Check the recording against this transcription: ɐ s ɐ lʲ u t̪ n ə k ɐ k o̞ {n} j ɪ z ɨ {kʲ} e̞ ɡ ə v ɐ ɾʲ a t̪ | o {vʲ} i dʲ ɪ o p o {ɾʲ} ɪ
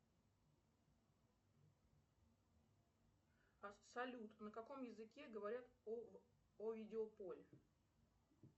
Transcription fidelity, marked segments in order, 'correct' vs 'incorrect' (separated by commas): incorrect, correct, correct, incorrect